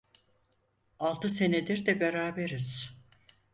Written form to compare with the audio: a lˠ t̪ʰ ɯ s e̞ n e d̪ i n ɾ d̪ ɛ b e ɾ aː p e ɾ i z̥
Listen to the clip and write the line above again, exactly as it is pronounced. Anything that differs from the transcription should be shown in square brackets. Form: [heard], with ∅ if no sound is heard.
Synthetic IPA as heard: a lˠ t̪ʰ ɯ s e̞ n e d̪ i [∅] ɾ d̪ ɛ b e ɾ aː [b] e ɾ i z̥